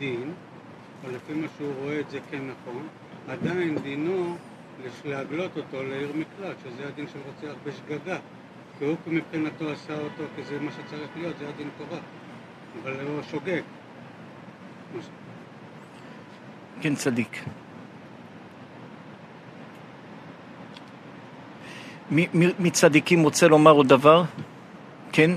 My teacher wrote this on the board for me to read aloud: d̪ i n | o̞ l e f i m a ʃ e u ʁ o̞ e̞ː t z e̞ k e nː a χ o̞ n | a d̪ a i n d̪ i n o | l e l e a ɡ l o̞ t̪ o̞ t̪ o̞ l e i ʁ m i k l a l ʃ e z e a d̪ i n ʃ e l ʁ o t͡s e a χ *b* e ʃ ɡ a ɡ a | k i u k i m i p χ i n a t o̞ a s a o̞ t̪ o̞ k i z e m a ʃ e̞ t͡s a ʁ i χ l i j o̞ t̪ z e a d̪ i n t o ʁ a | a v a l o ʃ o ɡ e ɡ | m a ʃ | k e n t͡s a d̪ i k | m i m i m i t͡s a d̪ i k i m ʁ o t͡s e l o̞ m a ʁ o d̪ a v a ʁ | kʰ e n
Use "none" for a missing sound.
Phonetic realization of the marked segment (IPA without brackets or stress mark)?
b